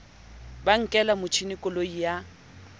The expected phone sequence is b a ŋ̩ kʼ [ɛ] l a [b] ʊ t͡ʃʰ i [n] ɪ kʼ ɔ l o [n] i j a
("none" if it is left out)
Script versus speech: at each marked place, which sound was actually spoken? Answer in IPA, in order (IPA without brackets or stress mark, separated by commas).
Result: ɛ, m, n, none